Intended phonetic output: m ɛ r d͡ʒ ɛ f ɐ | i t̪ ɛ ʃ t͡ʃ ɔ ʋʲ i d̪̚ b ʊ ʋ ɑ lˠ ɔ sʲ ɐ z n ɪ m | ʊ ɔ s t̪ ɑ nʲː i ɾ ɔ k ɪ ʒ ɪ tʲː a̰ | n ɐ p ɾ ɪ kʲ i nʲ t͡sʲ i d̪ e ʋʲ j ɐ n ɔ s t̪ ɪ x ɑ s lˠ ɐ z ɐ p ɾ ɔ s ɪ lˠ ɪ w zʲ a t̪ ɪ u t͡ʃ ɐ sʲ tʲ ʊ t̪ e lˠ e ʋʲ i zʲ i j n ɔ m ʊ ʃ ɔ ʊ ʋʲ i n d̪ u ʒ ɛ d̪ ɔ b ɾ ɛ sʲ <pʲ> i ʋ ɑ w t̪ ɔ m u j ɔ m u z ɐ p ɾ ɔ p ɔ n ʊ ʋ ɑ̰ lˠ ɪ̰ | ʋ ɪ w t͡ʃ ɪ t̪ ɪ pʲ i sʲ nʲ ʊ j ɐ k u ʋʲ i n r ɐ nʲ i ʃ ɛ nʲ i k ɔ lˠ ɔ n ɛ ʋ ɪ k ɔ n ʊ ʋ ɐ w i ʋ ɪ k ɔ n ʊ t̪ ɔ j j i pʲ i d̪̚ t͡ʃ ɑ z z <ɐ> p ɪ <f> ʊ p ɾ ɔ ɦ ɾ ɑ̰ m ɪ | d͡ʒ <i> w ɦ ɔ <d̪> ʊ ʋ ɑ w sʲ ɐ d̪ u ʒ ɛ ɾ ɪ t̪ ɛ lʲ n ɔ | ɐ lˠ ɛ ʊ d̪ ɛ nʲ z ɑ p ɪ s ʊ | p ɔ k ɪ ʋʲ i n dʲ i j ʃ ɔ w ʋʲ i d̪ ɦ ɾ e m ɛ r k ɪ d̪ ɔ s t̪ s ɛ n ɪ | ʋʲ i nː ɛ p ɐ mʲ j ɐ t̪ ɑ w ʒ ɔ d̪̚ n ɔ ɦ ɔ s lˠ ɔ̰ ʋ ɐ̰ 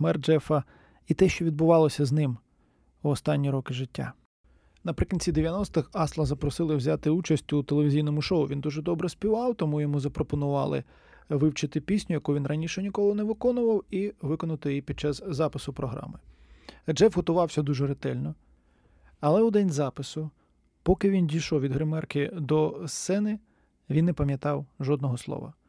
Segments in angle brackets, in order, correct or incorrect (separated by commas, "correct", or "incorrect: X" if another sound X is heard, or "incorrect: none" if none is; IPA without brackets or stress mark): correct, incorrect: ɑ, incorrect: s, incorrect: ɛ, incorrect: t̪